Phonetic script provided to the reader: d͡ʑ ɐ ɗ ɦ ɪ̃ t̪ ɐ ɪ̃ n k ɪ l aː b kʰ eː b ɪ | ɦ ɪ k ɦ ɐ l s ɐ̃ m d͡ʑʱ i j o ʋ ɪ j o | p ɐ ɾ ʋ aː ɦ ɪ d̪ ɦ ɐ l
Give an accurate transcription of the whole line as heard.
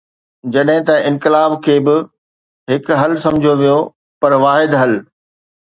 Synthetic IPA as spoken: d͡ʑ ɐ ɗ ɦ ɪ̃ t̪ ɐ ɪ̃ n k ɪ l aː b kʰ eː b ɪ | ɦ ɪ k ɦ ɐ l s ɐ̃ m d͡ʑʱ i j o ʋ i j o | p ɐ ɾ ʋ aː ɦ ɪ d̪ ɦ ɐ l

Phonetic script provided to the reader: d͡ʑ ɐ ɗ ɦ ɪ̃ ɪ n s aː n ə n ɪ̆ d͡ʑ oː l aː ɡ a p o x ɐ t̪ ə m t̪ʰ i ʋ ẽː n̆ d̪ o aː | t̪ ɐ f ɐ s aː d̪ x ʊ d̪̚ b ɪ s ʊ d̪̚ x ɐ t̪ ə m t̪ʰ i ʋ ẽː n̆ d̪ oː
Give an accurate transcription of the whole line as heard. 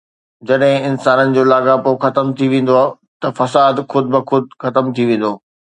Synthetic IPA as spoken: d͡ʑ ɐ ɗ ɦ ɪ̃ ɪ n s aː n ə n ɪ̆ d͡ʑ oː l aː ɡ a p o x ɐ t̪ ə m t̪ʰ i ʋ ẽː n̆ d̪ o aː | t̪ ɐ f ɐ s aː d̪ x ʊ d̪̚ b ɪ x ʊ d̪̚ x ɐ t̪ ə m t̪ʰ i ʋ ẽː n̆ d̪ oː

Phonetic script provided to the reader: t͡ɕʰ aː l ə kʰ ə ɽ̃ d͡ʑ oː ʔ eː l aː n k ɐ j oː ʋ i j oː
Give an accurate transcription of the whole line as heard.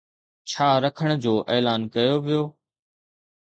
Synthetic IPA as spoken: t͡ɕʰ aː ɾ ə kʰ ə ɽ̃ d͡ʑ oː ʔ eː l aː n k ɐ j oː ʋ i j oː

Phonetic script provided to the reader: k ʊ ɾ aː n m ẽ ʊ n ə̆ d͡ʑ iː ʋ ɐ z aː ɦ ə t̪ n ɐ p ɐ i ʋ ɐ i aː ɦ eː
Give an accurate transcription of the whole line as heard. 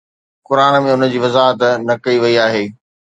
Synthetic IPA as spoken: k ʊ ɾ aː n m ẽ ʊ n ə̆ d͡ʑ iː ʋ ɐ z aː ɦ ə t̪ n ɐ k ɐ i ʋ ɐ i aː ɦ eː

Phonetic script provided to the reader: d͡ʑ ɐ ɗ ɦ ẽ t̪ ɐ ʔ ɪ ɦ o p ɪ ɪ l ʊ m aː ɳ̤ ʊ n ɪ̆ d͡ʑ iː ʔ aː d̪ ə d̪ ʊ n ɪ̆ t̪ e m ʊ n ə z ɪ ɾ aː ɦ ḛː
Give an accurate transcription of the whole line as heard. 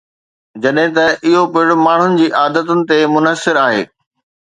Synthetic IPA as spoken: d͡ʑ ɐ ɗ ɦ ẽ t̪ ɐ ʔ ɪ ɦ o p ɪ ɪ ɽ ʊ m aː ɳ̤ ʊ n ɪ̆ d͡ʑ iː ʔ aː d̪ ə t̪ ʊ n ɪ̆ t̪ e m ʊ n ə s ɪ ɾ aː ɦ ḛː

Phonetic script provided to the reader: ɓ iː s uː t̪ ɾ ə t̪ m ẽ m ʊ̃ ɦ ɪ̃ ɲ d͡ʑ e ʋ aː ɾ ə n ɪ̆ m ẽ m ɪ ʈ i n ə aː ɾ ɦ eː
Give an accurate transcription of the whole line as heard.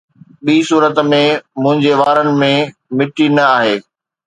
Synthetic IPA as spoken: ɓ iː s uː ɾ ə t̪ m ẽ m ʊ̃ ɦ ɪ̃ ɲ d͡ʑ e ʋ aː ɾ ə n ɪ̆ m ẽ m ɪ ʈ i n ɐ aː ɦ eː

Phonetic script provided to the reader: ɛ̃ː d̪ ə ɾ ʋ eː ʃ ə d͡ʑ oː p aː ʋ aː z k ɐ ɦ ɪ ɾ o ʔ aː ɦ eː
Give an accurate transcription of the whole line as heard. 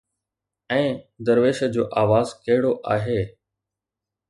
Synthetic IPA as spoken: ɛ̃ː d̪ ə ɾ ʋ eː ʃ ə d͡ʑ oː ʔ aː ʋ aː z k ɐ ɦ ɪ ɽ o ʔ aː ɦ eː

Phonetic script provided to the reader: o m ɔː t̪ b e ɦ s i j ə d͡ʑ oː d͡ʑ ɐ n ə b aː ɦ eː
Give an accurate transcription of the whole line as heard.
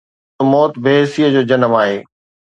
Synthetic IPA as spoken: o m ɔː t̪ b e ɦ s i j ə d͡ʑ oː d͡ʑ ɐ n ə m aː ɦ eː

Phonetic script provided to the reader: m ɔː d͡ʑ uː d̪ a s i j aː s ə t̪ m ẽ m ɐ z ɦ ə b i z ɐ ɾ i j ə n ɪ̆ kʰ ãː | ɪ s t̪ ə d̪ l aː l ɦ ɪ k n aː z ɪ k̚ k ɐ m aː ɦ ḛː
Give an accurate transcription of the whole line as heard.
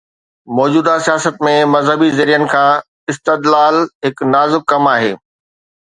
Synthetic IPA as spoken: m ɔː d͡ʑ uː d̪ a s i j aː s ə t̪ m ẽ m ɐ z ɦ ə b i z ɐ ɾ i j ə n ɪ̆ kʰ ãː | ɪ s t̪ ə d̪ l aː l ɦ ɪ k n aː z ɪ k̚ k ɐ m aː ɦ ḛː

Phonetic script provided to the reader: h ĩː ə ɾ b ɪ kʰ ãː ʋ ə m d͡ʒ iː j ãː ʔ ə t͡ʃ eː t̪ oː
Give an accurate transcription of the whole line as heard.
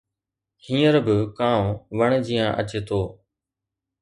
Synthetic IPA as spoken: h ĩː ə ɾ b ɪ k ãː ʋ ə ɳ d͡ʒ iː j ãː ʔ ə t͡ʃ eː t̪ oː

